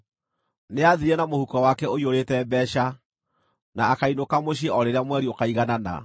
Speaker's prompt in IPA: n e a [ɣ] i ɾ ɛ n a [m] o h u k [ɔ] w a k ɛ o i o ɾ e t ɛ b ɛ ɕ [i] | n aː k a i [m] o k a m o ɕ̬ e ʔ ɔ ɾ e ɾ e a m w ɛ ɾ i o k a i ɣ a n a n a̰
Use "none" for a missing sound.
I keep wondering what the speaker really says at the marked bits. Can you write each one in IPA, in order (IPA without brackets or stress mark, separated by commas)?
ð, m, ɔ, a, n